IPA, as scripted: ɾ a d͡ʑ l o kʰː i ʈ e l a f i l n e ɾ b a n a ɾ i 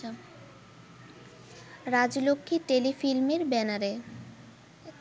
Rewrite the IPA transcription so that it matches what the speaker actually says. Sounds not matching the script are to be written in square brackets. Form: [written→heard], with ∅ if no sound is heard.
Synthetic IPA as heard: ɾ a d͡ʑ l o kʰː i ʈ e l [a→i] f i l [n→m] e ɾ b [a→ɛ] n a ɾ [i→e]